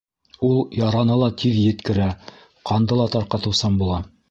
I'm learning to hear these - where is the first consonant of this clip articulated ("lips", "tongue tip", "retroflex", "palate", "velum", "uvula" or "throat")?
tongue tip